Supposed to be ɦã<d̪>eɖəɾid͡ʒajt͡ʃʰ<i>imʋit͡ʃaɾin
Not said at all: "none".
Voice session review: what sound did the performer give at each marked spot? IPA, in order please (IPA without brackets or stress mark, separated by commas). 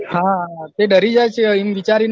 t̪, e